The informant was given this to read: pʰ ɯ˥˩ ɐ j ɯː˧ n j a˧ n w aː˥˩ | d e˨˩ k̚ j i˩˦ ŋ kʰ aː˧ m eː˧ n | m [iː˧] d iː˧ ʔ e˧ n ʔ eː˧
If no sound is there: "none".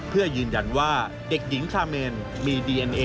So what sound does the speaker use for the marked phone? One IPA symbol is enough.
iː˧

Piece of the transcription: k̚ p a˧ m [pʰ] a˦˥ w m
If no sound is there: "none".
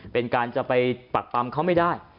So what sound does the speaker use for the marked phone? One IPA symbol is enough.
kʰ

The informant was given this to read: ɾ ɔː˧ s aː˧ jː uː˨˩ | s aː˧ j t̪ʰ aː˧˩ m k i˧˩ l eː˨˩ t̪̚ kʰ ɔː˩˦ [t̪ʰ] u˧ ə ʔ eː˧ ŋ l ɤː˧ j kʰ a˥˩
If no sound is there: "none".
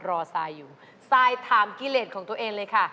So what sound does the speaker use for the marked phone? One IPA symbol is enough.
t̪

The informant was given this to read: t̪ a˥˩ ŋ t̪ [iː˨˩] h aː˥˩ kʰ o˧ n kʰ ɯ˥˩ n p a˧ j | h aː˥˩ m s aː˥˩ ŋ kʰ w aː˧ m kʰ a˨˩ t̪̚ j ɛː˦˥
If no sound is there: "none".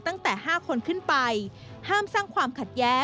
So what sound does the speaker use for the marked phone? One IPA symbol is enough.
ɛː˨˩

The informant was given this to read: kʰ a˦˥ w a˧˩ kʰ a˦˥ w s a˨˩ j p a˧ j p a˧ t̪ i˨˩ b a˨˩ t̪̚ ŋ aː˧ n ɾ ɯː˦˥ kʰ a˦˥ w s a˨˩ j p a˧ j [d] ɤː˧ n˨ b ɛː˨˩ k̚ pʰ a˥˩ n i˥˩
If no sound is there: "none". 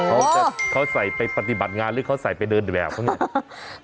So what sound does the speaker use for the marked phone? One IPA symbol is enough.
d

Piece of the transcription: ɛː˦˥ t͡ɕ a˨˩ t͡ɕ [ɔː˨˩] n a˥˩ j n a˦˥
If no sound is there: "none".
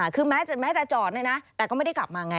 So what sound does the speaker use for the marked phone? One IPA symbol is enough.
ɔː˨˩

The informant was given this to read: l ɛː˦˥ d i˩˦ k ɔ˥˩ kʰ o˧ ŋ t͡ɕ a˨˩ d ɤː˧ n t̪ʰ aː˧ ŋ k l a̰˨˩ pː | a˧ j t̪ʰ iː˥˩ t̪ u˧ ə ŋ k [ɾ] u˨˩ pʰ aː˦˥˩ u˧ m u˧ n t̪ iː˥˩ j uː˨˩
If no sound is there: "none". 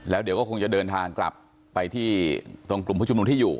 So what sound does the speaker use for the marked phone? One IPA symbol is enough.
l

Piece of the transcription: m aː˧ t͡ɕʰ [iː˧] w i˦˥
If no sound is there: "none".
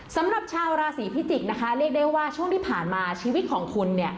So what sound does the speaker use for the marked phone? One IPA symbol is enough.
iː˧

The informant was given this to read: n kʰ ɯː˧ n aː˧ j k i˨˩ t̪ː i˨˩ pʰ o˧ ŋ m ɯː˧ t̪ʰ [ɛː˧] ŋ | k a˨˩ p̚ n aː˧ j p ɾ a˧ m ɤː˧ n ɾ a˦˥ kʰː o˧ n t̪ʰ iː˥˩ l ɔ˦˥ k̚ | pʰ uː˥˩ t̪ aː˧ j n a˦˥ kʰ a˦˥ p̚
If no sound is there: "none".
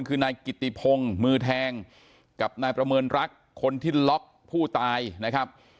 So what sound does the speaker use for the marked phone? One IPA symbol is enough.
ɛː˧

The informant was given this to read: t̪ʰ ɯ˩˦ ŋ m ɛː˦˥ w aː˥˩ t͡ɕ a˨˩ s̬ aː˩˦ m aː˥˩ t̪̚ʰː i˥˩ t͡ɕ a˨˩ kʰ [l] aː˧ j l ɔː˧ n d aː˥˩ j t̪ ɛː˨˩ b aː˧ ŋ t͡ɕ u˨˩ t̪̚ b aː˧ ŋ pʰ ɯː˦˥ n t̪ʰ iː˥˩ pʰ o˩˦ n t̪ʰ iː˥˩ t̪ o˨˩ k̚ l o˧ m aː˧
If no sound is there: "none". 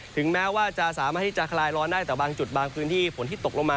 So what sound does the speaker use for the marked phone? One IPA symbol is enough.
l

